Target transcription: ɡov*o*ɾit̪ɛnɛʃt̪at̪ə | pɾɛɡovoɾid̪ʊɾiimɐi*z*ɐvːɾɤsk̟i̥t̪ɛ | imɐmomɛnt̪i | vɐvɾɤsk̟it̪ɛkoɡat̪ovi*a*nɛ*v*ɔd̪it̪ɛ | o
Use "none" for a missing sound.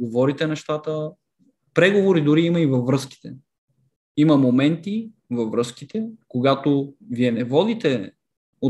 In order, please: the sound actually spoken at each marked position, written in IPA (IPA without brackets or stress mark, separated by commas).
ɔ, v, ɛ, v